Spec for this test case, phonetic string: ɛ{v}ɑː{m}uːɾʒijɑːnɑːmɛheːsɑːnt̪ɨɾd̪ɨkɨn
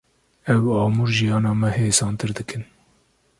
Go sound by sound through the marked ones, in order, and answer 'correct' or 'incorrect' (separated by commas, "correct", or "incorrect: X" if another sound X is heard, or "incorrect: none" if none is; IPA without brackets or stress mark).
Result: incorrect: w, correct